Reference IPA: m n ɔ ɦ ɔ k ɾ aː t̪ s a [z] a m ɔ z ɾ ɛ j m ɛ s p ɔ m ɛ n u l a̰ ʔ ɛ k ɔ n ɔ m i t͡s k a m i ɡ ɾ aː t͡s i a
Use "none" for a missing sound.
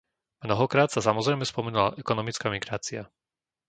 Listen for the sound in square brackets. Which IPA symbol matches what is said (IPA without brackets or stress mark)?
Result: s